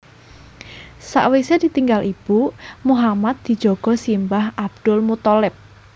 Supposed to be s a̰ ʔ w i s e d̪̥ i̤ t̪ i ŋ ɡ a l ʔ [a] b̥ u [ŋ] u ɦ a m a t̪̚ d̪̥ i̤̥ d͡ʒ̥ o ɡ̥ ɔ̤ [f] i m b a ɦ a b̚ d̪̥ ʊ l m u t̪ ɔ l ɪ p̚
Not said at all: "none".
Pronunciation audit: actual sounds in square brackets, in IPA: i, m, s

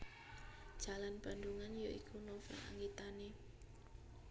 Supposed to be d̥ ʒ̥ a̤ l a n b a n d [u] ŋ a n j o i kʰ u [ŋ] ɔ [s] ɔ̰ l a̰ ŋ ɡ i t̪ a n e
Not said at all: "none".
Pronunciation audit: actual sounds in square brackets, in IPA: u, n, f

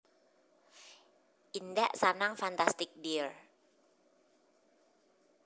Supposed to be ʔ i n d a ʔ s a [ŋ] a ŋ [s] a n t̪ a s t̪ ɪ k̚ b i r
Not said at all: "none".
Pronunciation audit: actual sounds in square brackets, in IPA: n, f

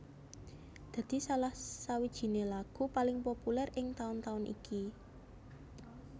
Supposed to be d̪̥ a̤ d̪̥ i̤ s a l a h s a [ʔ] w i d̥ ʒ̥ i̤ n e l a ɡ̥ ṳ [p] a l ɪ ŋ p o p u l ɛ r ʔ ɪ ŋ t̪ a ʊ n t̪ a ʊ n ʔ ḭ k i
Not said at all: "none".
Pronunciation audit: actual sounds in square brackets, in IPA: none, p

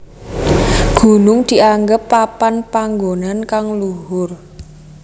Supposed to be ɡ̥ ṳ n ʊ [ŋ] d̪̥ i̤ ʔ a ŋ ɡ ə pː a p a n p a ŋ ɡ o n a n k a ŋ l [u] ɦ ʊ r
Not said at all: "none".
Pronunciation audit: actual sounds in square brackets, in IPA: ŋ, u

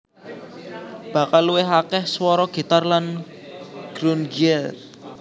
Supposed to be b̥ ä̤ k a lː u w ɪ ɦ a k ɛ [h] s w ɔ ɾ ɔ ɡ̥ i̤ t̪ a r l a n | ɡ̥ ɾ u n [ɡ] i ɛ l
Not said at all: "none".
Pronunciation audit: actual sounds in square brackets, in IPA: h, ɡ

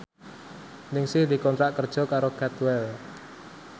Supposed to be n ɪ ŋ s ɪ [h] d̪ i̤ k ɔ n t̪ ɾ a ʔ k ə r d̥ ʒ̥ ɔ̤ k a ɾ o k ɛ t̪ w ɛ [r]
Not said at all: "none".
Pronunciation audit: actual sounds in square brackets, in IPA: h, l

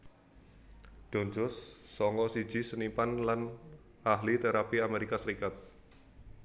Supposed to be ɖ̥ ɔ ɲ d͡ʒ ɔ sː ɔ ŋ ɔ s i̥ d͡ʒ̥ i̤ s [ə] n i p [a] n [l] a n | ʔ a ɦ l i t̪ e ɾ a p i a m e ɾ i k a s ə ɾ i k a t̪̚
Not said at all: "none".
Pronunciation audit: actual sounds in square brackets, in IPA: ə, a, l

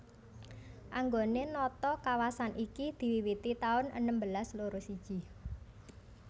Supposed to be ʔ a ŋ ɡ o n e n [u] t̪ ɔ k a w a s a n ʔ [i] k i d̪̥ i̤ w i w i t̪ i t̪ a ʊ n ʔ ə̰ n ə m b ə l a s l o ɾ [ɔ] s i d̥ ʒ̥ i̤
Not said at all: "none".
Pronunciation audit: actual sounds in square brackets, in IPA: ɔ, i, o

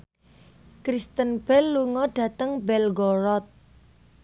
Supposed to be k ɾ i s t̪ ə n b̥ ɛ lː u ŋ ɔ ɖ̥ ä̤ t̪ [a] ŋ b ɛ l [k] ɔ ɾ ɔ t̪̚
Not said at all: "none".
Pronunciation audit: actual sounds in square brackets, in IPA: ə, ɡ

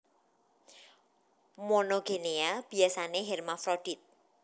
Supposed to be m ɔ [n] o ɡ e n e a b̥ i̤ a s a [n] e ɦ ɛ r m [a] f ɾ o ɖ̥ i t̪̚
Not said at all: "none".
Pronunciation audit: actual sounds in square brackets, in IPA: n, n, a

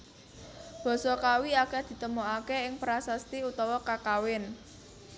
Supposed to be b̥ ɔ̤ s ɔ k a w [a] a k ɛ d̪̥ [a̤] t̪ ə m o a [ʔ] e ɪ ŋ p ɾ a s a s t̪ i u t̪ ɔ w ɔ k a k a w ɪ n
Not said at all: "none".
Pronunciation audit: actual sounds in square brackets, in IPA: i, i̤, k

